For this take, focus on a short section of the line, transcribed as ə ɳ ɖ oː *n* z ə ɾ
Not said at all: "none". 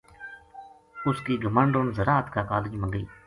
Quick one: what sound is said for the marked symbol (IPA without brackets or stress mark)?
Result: n